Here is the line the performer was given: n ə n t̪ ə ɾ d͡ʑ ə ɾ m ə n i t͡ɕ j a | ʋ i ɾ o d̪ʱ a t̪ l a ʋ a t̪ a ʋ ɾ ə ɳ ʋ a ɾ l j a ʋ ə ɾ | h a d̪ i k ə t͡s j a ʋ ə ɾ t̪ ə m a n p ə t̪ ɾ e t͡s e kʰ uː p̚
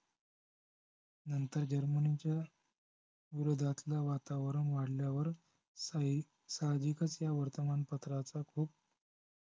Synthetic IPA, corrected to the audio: n ə n t̪ ə ɾ d͡ʑ ə ɾ m ə n i t͡ɕ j a | ʋ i ɾ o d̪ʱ a t̪ l a ʋ a t̪ a ʋ ɾ ə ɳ ʋ a ɽ l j a ʋ ə ɾ | s a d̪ i k ə t͡s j a ʋ ə ɾ t̪ ə m a n p ə t̪ ɾ a t͡s a kʰ uː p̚